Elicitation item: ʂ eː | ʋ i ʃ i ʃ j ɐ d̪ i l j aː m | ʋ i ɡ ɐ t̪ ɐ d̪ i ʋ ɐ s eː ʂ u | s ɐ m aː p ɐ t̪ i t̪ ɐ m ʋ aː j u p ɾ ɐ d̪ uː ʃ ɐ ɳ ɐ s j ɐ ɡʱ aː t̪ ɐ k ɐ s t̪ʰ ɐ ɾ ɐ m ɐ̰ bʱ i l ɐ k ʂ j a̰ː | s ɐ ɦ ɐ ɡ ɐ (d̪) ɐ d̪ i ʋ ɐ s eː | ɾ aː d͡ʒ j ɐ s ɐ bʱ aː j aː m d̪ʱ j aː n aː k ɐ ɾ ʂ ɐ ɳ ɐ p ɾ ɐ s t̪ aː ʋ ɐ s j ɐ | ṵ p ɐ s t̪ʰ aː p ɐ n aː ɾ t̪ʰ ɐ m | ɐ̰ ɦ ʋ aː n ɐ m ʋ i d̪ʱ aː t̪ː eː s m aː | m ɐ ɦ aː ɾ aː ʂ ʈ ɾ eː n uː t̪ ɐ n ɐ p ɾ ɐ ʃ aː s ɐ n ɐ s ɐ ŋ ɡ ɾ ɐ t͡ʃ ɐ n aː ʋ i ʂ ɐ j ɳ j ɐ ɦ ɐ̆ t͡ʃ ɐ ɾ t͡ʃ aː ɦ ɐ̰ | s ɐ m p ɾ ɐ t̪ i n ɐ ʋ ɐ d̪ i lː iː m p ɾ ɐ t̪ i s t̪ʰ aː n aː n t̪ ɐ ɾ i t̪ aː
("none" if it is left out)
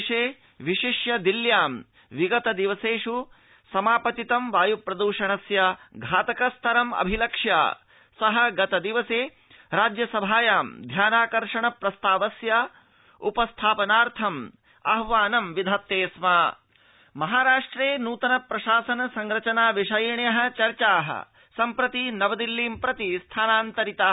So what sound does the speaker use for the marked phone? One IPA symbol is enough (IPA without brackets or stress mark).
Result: t̪